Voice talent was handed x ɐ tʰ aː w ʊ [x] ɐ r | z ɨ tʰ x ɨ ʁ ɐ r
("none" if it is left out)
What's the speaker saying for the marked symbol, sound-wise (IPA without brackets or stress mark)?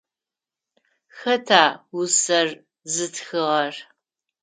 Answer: s